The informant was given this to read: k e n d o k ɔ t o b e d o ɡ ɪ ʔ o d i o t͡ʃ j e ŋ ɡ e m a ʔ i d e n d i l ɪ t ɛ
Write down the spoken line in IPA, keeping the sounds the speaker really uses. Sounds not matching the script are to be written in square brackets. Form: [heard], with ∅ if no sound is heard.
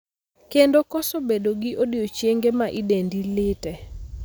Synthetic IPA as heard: k e n d o k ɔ [s] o b e d o ɡ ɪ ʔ o d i o t͡ʃ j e ŋ ɡ e m a ʔ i d e n d i l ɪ t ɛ